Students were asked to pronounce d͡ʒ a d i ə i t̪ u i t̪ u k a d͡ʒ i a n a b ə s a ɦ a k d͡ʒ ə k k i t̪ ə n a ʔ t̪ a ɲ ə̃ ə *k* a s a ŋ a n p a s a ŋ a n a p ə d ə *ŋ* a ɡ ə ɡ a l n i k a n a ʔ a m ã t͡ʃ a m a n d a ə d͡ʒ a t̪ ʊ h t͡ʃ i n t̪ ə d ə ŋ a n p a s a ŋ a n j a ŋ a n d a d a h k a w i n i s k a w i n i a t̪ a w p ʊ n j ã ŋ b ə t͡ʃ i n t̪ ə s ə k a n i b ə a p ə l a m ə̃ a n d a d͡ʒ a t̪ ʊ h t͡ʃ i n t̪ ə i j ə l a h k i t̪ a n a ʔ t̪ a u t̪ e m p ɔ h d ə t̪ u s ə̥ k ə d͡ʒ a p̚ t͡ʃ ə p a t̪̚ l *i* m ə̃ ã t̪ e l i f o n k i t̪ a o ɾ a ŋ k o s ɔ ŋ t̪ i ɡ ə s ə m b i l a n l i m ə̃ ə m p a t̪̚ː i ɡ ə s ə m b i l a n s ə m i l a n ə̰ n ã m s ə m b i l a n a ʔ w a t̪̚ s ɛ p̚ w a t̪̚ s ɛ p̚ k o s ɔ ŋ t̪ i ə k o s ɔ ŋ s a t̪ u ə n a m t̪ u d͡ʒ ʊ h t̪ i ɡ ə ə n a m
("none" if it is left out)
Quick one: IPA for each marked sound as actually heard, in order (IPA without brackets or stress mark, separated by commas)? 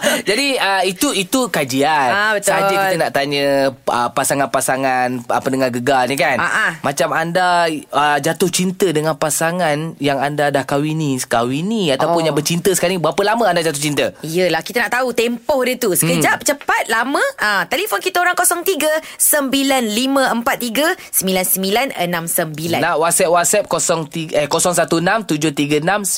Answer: p, ŋ, a